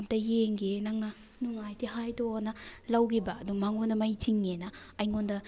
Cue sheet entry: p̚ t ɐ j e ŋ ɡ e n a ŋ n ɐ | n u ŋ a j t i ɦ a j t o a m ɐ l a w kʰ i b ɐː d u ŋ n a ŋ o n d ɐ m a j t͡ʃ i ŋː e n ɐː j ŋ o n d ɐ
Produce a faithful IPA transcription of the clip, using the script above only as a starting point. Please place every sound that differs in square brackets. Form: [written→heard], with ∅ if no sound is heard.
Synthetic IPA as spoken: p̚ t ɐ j e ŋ ɡ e n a ŋ n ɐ | n u ŋ a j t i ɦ a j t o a [m→n] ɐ l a w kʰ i b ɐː d u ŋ [n→m] a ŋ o n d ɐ m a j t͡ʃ i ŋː e n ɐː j ŋ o n d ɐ